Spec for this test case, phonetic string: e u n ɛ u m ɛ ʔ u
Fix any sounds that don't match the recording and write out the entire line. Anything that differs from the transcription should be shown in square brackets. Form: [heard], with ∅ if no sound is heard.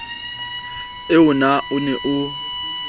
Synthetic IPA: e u n [a] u [n] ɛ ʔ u